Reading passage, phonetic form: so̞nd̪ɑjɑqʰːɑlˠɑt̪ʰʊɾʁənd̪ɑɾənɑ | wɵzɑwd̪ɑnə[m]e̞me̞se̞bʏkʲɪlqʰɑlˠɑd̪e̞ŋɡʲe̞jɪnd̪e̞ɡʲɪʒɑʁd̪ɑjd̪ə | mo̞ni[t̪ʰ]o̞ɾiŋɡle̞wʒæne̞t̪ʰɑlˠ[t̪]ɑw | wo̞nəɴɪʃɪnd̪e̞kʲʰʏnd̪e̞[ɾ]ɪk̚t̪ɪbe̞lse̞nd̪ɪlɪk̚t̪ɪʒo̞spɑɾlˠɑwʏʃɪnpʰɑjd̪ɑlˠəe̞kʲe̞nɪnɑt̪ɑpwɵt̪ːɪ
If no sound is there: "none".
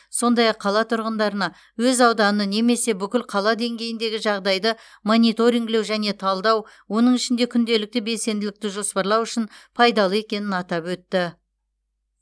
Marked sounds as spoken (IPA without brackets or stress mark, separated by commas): n, t̪, d̪, l